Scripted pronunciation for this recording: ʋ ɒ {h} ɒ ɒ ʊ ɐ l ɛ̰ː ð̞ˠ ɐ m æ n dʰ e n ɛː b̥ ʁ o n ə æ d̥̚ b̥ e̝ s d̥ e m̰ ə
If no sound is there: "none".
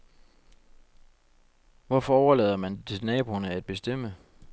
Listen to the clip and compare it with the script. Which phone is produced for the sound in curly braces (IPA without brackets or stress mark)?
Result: f